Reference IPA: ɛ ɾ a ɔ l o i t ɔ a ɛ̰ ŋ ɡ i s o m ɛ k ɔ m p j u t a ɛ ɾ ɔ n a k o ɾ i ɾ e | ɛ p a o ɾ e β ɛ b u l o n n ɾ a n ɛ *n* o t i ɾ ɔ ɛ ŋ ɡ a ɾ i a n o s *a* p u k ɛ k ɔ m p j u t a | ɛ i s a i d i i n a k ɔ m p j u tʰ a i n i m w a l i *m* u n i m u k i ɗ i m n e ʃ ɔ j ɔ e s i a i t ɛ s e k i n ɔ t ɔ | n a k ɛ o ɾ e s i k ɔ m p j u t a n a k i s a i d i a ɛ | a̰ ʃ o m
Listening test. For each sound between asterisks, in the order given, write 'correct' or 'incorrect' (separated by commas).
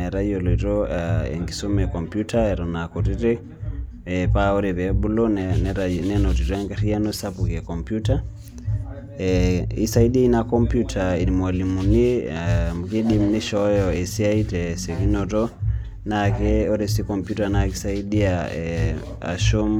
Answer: correct, correct, correct